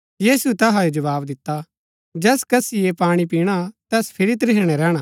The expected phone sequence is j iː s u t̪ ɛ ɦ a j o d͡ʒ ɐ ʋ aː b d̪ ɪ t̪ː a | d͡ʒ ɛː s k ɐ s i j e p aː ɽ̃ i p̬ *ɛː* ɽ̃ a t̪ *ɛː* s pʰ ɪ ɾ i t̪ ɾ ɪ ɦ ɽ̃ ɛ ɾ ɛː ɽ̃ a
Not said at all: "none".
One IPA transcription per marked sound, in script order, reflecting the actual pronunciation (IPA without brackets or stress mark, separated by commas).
iː, ɛː